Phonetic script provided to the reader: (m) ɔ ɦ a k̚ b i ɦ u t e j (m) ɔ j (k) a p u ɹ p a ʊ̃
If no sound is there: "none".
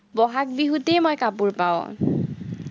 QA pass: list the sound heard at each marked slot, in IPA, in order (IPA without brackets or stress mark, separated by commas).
b, m, k